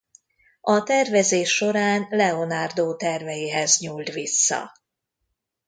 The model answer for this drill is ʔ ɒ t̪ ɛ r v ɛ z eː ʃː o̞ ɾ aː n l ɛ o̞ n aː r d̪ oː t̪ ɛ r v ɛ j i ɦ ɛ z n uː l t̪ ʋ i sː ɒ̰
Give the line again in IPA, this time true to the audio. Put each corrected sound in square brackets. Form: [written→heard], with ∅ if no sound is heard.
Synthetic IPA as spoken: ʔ ɒ t̪ ɛ r v ɛ z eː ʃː o̞ ɾ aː n l ɛ o̞ n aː r d̪ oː t̪ ɛ r v ɛ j i ɦ ɛ z [n→ɲ] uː l t̪ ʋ i sː ɒ̰